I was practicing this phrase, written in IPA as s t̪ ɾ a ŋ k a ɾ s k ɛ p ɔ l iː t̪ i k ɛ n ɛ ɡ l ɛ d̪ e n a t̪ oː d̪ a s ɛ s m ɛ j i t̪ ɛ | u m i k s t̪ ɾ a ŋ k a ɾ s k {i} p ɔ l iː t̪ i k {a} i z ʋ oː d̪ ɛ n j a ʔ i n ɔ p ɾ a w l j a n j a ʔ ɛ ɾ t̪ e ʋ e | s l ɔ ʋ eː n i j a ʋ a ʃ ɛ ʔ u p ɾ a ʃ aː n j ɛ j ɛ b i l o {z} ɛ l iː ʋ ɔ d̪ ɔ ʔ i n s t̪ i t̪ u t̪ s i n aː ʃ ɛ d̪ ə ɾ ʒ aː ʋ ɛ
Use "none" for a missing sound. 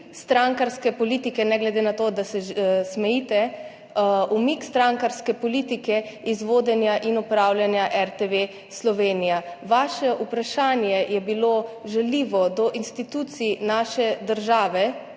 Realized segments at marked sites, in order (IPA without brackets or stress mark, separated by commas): ɛ, ɛ, ʒ